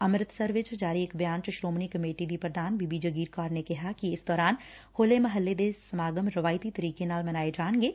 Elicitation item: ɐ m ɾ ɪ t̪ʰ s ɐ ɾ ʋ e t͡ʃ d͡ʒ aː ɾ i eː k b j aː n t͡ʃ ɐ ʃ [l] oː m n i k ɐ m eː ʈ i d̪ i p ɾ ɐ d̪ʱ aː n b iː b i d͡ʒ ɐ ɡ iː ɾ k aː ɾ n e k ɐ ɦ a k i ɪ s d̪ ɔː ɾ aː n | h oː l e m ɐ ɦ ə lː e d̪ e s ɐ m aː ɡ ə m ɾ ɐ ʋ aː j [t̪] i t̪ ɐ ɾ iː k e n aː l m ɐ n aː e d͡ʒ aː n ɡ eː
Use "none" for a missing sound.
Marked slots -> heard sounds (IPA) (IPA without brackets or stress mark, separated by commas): ɾ, t̪